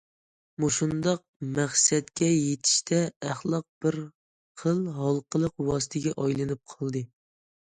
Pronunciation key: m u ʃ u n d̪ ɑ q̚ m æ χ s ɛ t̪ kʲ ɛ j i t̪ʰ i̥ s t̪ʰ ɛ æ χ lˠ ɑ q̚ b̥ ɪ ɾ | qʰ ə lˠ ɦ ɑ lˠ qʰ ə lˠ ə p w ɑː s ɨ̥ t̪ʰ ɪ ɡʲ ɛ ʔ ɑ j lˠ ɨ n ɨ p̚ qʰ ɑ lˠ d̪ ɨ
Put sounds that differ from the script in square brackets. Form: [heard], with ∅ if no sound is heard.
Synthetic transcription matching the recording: m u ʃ u n d̪ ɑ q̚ m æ χ s ɛ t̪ kʲ ɛ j [e] t̪ʰ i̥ [ʃ] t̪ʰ ɛ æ χ lˠ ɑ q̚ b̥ ɪ ɾ | qʰ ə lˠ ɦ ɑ lˠ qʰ ə lˠ ə [q] w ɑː s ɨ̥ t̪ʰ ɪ ɡʲ ɛ ʔ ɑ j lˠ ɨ n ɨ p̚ qʰ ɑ lˠ d̪ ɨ